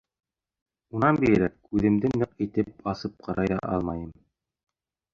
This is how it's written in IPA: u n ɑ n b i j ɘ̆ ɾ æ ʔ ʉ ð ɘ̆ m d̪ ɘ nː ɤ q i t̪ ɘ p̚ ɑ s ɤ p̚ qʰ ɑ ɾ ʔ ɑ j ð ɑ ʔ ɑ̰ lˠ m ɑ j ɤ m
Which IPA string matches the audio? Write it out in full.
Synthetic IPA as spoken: u n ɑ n b i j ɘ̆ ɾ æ k ʉ ð ɘ̆ m d̪ ɘ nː ɤ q i t̪ ɘ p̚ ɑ s ɤ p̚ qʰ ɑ ɾ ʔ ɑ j ð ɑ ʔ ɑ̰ lˠ m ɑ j ɤ m